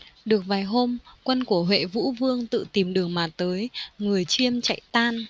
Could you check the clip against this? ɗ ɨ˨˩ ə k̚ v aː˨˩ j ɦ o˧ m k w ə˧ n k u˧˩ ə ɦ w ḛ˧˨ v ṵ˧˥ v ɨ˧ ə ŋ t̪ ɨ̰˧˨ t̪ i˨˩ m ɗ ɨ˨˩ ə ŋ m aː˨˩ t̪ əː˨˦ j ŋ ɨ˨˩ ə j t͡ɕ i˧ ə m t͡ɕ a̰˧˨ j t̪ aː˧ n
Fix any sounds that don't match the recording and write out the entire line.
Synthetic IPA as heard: ɗ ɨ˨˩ ə k̚ v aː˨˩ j ɦ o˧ m k w ə˧ n k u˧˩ ə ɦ w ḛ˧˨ v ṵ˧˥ v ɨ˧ ə ŋ t̪ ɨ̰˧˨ t̪ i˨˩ m ɗ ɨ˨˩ ə ŋ m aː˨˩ t̪ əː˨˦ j ŋ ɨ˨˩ ə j t͡ɕ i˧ ə m t͡ɕ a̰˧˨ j t̪ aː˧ n